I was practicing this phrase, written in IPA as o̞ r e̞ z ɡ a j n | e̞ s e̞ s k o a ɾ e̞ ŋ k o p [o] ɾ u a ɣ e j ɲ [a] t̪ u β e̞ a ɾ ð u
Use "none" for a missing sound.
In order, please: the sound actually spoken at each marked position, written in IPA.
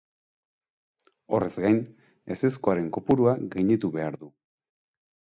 u, i

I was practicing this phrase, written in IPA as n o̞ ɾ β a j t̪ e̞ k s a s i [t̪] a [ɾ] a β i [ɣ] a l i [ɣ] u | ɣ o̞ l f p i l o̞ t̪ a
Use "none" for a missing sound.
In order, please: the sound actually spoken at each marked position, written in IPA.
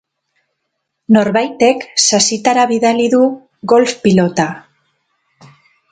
t̪, ɾ, ð, ð

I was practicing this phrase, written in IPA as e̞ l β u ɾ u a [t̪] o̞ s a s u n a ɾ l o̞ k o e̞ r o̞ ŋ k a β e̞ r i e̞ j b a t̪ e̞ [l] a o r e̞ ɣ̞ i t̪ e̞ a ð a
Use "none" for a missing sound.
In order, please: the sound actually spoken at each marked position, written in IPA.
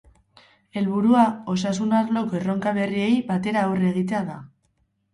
none, ɾ

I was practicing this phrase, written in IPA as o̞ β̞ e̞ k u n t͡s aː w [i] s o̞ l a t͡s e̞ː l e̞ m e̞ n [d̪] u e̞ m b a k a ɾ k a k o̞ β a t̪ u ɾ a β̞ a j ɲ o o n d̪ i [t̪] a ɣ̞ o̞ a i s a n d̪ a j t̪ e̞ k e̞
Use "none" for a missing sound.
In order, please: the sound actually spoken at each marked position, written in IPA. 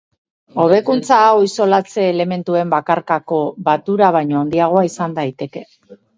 i, t̪, none

